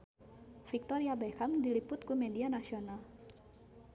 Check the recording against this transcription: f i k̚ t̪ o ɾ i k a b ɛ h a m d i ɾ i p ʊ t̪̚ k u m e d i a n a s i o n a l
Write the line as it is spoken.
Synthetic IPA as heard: f i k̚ t̪ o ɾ i a b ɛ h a m d i l i p ʊ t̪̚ k u m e d i a n a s i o n a l